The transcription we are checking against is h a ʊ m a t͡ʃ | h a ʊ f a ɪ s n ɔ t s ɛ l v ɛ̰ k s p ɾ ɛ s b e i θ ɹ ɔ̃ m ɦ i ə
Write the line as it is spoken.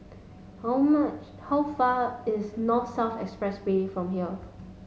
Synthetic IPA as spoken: h a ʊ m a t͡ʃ | h a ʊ f a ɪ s n ɔ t s ɛ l f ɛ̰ k s p ɹ ɛ s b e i f ɹ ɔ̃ m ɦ i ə